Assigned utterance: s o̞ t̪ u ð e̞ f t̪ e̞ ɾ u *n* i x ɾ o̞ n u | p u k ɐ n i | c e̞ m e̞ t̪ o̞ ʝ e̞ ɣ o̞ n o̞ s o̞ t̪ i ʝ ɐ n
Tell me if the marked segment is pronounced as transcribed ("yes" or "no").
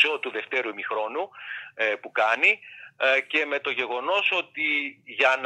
no